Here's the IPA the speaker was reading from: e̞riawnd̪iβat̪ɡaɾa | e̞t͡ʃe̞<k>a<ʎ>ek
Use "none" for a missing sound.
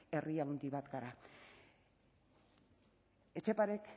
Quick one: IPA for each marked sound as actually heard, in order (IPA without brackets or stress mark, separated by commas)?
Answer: p, ɾ